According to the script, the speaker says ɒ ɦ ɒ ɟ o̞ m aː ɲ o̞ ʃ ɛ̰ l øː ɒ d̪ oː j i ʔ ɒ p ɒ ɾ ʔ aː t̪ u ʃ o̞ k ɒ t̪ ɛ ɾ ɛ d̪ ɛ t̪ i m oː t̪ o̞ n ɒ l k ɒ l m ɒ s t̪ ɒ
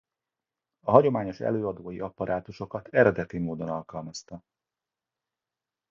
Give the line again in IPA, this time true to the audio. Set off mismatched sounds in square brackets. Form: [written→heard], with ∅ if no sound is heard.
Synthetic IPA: ɒ ɦ ɒ ɟ o̞ m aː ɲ o̞ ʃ ɛ̰ l øː ɒ d̪ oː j i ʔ ɒ p ɒ ɾ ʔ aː t̪ u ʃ o̞ k ɒ t̪ ɛ ɾ ɛ d̪ ɛ t̪ i m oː [t̪→d̪] o̞ n ɒ l k ɒ l m ɒ s t̪ ɒ

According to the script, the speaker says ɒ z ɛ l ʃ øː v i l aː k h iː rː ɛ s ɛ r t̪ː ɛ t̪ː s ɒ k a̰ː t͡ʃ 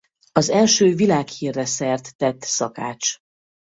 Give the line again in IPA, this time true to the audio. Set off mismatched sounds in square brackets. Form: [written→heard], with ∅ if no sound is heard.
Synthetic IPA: ɒ z ɛ l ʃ øː v i l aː k h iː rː ɛ s ɛ r t̪ː ɛ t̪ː s ɒ k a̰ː t͡ʃ

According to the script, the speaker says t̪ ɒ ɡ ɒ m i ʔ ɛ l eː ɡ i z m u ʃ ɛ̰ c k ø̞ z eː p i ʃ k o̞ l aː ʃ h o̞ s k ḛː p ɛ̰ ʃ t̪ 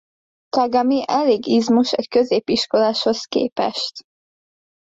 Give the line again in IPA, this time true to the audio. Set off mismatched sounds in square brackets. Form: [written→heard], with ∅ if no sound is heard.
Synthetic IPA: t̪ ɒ ɡ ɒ m i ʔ ɛ l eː ɡ i z m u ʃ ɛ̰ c k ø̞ z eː p i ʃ k o̞ l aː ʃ h o̞ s k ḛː p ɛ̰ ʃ t̪

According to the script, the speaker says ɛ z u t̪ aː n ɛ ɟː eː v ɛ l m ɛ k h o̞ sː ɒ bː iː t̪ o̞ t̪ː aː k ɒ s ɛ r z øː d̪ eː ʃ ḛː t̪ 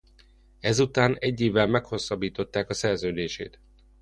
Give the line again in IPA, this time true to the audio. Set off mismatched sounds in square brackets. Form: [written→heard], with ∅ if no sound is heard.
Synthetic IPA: ɛ z u t̪ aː n ɛ ɟː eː v ɛ l m ɛ k h o̞ sː ɒ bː iː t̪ o̞ t̪ː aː k ɒ s ɛ r z øː d̪ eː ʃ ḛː t̪

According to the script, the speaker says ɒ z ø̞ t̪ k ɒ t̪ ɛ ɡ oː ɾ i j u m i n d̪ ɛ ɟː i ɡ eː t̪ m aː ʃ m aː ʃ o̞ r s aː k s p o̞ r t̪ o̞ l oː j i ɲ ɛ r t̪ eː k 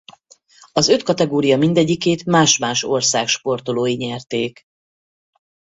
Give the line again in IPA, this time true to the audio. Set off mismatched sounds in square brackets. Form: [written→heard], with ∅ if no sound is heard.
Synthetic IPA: ɒ z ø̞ t̪ k ɒ t̪ ɛ ɡ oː ɾ i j [u→ɒ] m i n d̪ ɛ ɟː i [ɡ→k] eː t̪ m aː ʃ m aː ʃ o̞ r s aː k [s→ʃ] p o̞ r t̪ o̞ l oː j i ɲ ɛ r t̪ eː k

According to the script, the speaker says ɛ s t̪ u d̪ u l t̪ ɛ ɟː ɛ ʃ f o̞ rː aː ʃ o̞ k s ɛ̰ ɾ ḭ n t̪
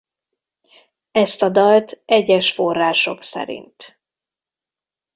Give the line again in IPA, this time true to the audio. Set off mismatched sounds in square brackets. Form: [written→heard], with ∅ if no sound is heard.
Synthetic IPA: ɛ s t̪ [u→ɒ] d̪ [u→ɒ] l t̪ ɛ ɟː ɛ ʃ f o̞ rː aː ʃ o̞ k s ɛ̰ ɾ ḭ n t̪

